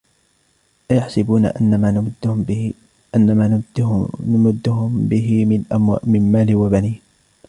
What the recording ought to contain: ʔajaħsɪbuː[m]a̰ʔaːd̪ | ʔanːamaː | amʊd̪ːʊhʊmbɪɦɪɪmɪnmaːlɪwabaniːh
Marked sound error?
yes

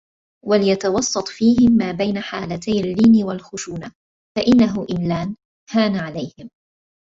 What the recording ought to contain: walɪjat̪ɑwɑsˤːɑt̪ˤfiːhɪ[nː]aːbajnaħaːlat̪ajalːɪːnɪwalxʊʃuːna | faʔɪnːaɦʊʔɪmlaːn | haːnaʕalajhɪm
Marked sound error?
yes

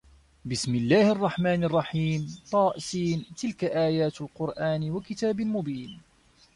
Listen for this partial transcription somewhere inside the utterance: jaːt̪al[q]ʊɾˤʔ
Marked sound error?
no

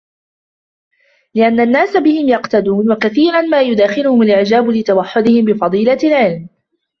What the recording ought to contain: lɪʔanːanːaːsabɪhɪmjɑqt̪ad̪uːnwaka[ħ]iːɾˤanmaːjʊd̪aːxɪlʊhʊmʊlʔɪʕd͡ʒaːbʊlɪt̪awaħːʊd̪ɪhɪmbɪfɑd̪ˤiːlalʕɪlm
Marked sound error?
yes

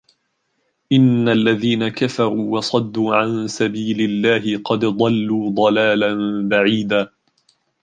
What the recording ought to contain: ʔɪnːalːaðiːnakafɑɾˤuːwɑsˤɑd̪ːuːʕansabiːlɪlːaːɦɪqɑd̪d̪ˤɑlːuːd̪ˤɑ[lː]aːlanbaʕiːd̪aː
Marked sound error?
yes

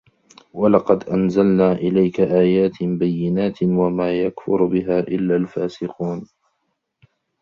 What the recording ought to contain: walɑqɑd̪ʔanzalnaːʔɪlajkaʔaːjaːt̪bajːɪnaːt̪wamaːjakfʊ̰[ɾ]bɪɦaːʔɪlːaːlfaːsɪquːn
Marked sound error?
no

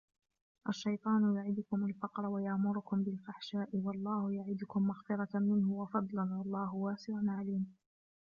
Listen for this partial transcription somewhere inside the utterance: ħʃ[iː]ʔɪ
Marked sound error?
yes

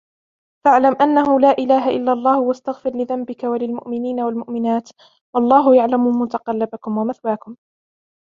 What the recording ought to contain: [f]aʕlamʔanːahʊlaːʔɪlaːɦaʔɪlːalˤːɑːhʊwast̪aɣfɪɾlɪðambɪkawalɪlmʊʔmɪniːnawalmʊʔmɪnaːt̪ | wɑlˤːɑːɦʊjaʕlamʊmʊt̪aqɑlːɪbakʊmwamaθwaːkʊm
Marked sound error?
no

